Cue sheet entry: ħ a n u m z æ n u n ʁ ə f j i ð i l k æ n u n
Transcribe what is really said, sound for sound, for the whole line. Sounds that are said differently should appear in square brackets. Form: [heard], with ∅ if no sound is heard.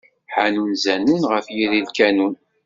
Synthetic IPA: ħ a n u [n] z æ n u n ʁ ə f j i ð i l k æ n u n